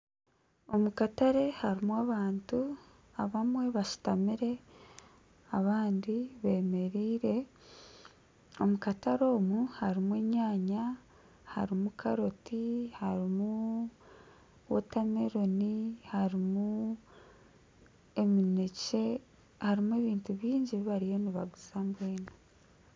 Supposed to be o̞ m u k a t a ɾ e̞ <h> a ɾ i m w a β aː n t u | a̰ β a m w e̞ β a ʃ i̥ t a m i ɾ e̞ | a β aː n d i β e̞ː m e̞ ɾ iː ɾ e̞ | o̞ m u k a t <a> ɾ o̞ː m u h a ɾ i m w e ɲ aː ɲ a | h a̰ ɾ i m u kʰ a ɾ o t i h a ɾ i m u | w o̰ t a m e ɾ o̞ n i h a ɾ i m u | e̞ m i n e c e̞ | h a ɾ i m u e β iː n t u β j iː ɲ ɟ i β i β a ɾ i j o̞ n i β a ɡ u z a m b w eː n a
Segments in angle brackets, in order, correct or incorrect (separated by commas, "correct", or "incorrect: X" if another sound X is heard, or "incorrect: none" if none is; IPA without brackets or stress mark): correct, correct